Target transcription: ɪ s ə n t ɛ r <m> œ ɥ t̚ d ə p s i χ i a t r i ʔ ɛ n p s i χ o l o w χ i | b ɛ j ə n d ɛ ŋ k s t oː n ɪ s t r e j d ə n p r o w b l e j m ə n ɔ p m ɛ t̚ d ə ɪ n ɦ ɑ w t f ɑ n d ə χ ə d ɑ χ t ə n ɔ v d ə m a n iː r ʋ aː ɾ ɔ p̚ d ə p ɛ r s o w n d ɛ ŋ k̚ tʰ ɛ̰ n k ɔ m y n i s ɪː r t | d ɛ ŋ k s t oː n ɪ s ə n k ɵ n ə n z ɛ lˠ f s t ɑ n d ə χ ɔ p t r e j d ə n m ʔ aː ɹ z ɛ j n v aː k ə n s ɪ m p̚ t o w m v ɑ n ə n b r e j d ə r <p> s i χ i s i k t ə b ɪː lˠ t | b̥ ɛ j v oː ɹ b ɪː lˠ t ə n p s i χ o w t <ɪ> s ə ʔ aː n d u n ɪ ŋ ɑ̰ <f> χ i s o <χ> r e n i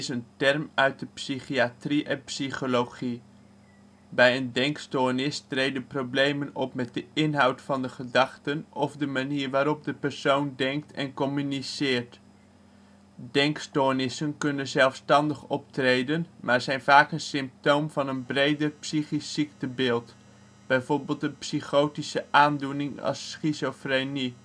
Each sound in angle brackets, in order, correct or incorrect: correct, correct, incorrect: i, incorrect: s, incorrect: f

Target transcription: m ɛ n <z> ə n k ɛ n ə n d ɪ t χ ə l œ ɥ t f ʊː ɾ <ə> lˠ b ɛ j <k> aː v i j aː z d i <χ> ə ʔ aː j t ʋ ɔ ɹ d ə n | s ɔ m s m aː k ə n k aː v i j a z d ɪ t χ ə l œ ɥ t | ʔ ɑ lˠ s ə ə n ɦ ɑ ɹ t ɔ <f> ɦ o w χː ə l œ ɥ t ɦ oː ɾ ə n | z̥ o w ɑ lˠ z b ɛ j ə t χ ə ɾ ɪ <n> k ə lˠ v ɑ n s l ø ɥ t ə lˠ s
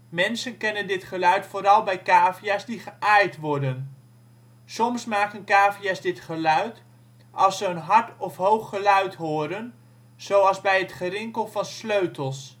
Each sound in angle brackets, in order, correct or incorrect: incorrect: s, incorrect: ɑ, correct, correct, correct, incorrect: ŋ

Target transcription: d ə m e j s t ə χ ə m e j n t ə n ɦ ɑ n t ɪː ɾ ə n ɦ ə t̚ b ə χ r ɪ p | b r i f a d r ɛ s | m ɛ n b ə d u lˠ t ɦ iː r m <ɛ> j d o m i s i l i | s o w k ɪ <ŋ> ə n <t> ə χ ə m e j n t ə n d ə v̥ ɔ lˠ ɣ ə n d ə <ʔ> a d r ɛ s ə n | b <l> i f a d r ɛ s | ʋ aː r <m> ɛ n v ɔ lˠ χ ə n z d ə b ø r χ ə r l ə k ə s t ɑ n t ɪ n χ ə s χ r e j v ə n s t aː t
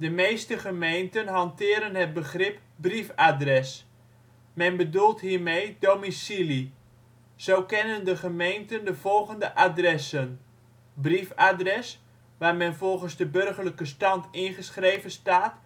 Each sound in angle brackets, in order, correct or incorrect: incorrect: e, incorrect: n, incorrect: d, correct, incorrect: r, correct

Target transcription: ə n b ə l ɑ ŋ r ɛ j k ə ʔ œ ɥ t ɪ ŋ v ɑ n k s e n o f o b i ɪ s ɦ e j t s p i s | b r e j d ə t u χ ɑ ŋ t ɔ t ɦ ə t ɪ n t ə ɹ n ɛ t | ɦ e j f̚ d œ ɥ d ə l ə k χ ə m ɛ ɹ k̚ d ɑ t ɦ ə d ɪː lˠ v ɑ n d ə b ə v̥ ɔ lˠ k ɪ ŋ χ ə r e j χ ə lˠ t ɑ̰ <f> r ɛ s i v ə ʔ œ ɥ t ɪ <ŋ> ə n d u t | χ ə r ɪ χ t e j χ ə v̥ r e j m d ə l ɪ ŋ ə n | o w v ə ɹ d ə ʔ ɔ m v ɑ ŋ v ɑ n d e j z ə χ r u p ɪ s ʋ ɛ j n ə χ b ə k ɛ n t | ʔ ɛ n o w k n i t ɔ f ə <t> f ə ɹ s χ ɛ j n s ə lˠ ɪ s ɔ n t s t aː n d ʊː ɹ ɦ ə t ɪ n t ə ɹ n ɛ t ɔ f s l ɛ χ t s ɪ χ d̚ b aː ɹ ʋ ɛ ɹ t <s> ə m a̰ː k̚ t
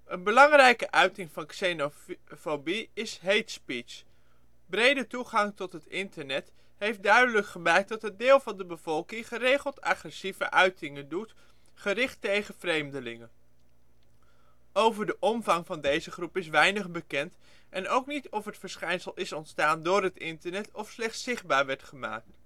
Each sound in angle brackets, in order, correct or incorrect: incorrect: χ, correct, correct, incorrect: χ

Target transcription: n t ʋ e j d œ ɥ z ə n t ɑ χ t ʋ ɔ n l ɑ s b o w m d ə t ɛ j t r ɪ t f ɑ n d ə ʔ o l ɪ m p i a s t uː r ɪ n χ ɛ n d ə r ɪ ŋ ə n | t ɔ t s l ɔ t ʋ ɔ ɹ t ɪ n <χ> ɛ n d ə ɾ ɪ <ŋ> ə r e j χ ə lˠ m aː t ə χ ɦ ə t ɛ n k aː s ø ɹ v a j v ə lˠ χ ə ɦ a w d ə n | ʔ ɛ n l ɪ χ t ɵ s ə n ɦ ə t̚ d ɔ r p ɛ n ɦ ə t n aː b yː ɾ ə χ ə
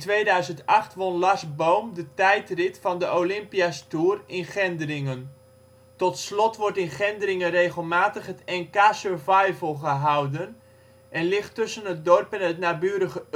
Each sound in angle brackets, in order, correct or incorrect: correct, correct

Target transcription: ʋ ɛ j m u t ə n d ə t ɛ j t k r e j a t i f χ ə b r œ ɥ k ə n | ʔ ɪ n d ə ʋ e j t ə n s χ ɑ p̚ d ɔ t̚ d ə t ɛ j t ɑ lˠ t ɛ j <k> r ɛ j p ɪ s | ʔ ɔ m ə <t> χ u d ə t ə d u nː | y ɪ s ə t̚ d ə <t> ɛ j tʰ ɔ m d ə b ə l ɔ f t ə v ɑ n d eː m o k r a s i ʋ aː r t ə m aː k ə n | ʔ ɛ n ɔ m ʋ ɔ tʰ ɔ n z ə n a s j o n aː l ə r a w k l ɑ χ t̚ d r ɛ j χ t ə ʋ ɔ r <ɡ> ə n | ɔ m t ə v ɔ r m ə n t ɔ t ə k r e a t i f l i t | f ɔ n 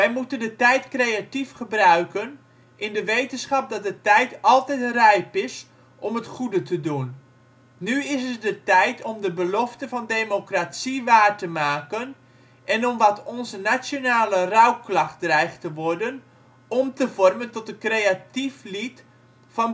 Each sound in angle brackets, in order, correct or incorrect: incorrect: t, correct, correct, incorrect: d

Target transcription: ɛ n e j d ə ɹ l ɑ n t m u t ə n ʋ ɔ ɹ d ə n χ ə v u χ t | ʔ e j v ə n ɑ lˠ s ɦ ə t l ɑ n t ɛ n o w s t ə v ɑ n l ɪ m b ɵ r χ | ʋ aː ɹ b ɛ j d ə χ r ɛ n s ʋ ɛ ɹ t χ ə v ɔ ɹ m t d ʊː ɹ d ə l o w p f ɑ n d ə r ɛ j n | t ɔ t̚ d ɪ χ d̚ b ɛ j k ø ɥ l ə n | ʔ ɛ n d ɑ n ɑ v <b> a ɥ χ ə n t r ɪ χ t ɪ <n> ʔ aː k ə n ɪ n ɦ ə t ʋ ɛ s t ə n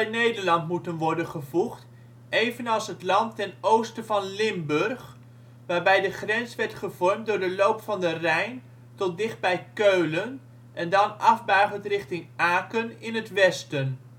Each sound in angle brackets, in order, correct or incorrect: correct, incorrect: ŋ

